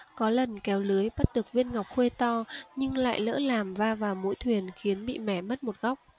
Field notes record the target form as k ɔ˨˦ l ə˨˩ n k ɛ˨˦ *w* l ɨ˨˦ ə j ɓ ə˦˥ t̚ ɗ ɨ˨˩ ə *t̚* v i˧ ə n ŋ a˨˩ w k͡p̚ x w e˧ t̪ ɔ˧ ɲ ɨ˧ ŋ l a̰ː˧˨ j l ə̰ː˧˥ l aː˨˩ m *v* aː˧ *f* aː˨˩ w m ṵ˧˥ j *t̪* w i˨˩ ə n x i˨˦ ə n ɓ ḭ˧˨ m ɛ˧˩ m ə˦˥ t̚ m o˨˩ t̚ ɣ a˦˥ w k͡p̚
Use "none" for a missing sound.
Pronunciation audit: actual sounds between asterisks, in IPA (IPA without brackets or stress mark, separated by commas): w, k̚, v, v, t̪ʰ